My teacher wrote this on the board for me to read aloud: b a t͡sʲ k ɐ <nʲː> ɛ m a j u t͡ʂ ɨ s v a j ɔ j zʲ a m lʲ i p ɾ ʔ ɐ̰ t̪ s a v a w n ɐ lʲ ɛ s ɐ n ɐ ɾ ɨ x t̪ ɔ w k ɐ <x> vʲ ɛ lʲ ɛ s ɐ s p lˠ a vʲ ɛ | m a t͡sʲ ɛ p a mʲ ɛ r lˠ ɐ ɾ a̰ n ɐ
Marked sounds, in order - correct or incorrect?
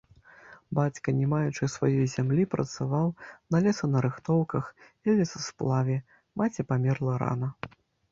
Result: incorrect: nʲ, correct

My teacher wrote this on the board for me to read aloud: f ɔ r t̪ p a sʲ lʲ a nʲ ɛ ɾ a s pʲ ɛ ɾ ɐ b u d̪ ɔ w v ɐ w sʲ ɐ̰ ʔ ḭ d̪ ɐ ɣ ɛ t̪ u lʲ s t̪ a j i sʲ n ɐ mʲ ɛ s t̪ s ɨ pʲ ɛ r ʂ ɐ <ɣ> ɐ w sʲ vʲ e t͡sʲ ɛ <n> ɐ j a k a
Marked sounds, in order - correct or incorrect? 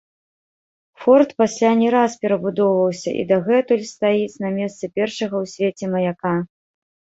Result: correct, incorrect: m

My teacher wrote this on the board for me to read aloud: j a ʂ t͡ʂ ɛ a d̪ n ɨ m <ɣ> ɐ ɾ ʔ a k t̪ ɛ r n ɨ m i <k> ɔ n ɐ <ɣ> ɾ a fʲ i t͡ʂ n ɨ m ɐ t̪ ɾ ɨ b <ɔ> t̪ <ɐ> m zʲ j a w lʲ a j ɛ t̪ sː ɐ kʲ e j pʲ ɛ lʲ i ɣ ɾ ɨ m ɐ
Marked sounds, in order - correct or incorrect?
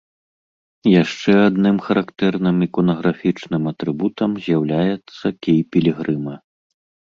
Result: incorrect: x, correct, correct, incorrect: u, correct

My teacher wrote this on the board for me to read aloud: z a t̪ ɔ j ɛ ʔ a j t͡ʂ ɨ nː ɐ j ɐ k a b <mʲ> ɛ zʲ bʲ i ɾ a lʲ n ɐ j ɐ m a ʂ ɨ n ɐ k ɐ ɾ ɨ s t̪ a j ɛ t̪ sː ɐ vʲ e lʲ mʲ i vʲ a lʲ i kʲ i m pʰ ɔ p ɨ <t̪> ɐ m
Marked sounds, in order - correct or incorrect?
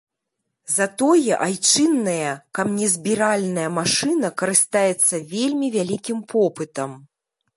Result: incorrect: nʲ, correct

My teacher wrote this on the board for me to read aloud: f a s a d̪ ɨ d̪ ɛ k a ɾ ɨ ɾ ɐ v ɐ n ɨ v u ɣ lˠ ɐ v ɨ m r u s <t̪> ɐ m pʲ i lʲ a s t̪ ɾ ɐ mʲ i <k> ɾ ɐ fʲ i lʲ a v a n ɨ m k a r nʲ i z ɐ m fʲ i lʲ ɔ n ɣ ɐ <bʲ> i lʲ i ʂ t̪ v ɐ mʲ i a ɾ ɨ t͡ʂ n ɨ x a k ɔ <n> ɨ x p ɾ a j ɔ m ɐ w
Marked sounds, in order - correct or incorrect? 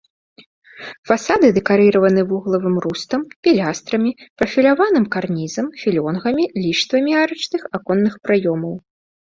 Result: correct, incorrect: p, incorrect: mʲ, incorrect: nː

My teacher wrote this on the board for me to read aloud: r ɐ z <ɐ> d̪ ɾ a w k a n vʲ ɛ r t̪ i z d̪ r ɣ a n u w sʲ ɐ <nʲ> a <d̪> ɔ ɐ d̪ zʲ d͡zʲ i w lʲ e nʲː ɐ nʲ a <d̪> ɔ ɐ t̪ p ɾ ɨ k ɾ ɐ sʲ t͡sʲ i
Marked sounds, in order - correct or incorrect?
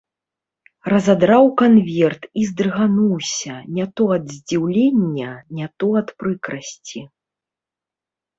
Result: incorrect: a, correct, incorrect: t̪, incorrect: t̪

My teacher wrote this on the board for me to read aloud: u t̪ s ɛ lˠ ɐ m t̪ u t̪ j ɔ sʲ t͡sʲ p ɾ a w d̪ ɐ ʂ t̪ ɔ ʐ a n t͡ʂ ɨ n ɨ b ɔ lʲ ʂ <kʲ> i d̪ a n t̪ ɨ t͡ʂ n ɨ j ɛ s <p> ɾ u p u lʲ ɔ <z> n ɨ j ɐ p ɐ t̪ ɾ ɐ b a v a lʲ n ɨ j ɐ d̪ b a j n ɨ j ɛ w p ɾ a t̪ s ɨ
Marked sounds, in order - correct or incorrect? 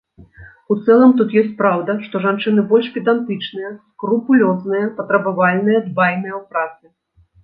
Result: incorrect: pʲ, incorrect: k, correct

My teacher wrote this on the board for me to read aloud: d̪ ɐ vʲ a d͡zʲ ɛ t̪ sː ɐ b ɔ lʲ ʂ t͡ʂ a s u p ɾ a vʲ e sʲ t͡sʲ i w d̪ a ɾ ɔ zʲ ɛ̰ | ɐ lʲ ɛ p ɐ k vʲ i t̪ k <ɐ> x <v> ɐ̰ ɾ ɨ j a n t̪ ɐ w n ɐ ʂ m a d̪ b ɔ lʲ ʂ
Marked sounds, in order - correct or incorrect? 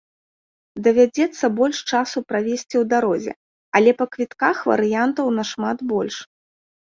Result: incorrect: a, correct

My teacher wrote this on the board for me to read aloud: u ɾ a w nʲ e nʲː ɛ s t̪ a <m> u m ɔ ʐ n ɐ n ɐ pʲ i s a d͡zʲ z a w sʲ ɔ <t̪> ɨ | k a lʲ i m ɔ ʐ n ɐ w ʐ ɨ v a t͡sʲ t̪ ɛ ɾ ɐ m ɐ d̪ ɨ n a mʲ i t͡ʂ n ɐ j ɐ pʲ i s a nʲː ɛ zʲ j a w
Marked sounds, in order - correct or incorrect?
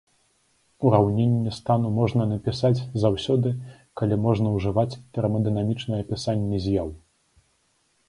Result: incorrect: n, incorrect: d̪

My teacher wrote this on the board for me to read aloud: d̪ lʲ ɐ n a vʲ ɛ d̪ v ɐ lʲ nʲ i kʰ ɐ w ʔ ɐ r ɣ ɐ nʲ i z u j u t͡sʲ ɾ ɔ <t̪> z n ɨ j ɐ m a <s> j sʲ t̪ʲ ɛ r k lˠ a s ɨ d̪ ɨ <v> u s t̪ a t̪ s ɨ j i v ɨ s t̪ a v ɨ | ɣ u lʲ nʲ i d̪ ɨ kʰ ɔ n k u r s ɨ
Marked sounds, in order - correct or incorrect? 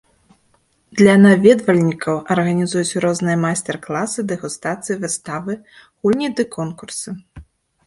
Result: incorrect: none, incorrect: none, incorrect: ɣ

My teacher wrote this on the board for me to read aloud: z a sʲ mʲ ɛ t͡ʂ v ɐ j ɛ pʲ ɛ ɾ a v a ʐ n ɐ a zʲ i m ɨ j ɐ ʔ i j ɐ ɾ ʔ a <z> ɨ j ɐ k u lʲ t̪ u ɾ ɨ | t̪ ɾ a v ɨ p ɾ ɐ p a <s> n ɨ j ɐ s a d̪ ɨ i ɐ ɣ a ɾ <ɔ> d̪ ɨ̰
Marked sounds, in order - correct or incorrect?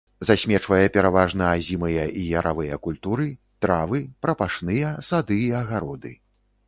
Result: incorrect: v, incorrect: ʂ, correct

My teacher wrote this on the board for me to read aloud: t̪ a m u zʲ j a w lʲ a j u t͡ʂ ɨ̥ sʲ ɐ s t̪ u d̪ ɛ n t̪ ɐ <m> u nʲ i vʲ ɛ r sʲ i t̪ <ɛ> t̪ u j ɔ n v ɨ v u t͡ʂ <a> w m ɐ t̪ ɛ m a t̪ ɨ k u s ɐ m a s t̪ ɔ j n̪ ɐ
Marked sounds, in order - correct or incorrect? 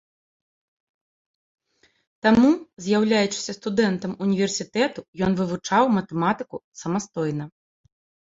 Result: correct, correct, correct

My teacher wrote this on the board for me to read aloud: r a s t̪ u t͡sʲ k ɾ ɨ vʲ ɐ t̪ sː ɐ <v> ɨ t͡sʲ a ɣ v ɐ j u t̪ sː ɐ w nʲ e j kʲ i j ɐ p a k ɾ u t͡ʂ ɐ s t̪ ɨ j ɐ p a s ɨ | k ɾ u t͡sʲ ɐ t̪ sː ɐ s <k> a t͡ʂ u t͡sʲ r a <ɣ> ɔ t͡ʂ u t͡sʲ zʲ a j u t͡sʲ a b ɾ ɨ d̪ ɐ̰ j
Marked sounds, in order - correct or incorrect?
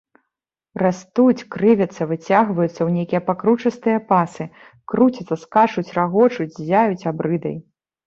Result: correct, correct, correct

